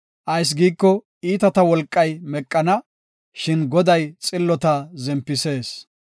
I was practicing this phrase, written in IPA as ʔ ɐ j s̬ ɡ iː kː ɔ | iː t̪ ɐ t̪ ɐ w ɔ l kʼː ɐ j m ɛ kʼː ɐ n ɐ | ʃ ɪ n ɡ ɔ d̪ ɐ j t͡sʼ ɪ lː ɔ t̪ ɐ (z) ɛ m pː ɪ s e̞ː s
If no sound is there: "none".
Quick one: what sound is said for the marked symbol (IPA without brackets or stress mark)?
z